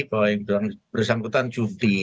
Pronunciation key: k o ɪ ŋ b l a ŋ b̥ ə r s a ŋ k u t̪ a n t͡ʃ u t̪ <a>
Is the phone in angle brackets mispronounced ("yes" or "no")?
yes